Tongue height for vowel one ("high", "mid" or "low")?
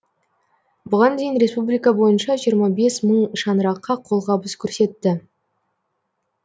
high